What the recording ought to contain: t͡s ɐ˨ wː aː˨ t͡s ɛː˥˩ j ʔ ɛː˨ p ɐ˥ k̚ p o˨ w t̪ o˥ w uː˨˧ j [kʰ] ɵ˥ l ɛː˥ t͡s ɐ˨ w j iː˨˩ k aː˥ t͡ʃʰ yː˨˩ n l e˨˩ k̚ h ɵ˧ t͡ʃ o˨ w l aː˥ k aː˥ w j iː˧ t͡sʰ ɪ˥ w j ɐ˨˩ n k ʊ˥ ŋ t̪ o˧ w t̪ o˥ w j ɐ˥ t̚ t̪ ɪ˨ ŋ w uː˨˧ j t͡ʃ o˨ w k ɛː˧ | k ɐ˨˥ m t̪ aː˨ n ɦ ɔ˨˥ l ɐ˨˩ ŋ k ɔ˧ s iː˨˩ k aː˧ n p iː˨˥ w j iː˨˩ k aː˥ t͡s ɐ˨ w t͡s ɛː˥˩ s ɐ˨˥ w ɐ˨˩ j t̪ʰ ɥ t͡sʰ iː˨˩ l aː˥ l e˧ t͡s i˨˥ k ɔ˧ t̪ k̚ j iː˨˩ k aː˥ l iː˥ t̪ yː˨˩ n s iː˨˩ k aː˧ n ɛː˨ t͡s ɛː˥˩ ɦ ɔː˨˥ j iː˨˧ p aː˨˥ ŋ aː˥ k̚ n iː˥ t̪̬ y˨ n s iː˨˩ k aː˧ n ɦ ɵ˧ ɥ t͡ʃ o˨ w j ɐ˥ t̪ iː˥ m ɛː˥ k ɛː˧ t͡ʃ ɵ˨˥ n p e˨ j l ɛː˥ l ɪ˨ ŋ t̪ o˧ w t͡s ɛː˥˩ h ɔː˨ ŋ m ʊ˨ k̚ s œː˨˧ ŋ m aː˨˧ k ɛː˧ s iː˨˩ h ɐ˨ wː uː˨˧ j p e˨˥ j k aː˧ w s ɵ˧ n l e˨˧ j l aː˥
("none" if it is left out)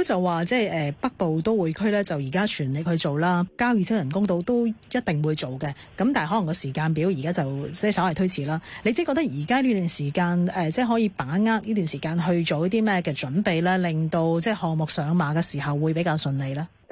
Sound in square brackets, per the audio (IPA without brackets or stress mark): kʰ